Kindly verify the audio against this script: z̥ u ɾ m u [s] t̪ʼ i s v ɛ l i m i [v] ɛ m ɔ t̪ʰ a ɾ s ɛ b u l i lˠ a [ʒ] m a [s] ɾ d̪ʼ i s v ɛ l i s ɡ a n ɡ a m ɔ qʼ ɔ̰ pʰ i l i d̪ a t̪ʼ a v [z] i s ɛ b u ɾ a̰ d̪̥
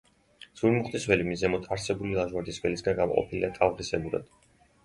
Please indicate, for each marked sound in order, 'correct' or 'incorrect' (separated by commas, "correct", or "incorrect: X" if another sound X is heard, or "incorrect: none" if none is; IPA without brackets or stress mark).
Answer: incorrect: χ, incorrect: z, correct, incorrect: none, incorrect: ʁ